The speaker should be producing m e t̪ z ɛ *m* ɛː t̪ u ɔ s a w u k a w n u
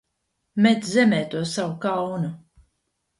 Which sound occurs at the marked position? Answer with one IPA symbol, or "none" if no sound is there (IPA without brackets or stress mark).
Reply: m